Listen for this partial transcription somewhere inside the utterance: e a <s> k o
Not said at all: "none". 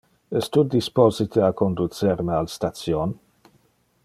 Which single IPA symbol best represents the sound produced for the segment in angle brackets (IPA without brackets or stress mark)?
none